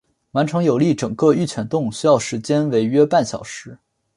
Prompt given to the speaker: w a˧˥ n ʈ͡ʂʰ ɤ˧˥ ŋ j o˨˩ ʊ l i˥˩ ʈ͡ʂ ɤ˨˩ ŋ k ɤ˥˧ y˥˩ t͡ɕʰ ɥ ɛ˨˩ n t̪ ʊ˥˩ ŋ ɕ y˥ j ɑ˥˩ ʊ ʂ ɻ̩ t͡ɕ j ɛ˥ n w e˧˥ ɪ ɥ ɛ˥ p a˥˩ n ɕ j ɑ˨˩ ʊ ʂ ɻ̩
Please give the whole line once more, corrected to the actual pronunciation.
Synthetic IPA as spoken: w a˧˥ n ʈ͡ʂʰ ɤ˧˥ ŋ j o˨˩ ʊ l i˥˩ ʈ͡ʂ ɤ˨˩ ŋ k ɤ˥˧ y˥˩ t͡ɕʰ ɥ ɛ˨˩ n t̪ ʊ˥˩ ŋ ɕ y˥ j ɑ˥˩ ʊ ʂ ɻ̩ t͡ɕ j ɛ˥ n w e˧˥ ɪ ɥ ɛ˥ p a˥˩ n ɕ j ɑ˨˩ ʊ ʂ ɻ̩

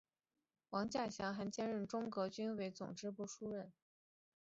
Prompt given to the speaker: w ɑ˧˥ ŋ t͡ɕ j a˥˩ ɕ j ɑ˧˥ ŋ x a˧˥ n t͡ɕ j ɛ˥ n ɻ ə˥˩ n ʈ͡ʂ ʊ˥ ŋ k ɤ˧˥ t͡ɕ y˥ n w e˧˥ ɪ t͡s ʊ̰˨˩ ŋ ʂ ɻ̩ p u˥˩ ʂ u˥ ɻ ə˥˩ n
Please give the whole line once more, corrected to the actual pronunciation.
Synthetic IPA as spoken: w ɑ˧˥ ŋ t͡ɕ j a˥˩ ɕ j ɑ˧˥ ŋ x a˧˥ n t͡ɕ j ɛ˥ n ɻ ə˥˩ n ʈ͡ʂ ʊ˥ ŋ k ɤ˧˥ t͡ɕ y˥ n w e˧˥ ɪ t͡s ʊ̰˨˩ ŋ ʈ͡ʂ ɻ̩ p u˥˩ ʂ u˥ ɻ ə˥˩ n

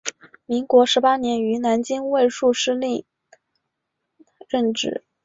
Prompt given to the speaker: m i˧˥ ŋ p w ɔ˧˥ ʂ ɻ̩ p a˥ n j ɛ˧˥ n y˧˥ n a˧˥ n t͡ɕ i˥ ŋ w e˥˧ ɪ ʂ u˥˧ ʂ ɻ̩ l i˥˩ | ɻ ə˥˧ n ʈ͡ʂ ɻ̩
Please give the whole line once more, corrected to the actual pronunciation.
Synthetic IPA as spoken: m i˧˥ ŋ k w ɔ˧˥ ʂ ɻ̩ p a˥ n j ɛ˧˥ n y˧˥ n a˧˥ n t͡ɕ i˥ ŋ w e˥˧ ɪ ʂ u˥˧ ʂ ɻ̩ l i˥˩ | ɻ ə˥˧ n ʈ͡ʂ ɻ̩

